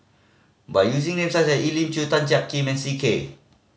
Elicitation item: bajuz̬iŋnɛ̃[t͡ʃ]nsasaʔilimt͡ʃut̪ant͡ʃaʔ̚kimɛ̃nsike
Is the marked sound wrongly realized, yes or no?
yes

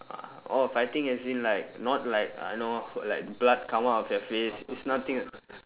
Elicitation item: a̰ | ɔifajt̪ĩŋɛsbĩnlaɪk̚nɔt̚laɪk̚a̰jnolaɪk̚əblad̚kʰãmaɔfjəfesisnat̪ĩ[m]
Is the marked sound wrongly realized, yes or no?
yes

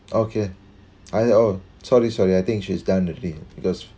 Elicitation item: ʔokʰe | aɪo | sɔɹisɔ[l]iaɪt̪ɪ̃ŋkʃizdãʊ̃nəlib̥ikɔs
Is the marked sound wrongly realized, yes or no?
yes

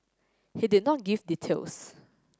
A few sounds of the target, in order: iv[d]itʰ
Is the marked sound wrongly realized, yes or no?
no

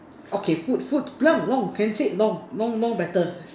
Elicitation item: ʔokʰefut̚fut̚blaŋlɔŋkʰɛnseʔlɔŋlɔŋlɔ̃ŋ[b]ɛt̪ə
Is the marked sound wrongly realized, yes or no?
no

